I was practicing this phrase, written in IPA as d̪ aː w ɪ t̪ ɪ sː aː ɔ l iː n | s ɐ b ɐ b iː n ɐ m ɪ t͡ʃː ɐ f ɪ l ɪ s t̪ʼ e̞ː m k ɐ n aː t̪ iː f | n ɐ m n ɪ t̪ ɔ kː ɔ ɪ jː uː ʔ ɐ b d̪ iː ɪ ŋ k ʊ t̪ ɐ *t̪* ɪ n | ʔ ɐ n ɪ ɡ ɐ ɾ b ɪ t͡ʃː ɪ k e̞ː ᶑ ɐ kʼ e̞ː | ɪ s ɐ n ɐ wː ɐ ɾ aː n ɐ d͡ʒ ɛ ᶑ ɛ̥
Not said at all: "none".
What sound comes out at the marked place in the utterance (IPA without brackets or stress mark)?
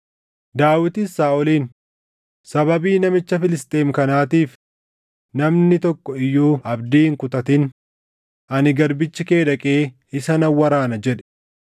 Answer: t̪